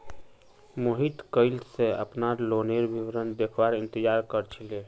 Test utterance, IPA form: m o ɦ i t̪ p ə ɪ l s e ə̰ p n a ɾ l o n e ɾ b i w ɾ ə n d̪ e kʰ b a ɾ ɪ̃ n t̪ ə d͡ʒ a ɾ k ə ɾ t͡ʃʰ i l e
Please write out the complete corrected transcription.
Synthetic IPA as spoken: m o ɦ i t̪ k ə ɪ l s e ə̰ p n a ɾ l o n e ɾ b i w ɾ ə n d̪ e kʰ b a ɾ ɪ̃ n t̪ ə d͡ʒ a ɾ k ə ɾ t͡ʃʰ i l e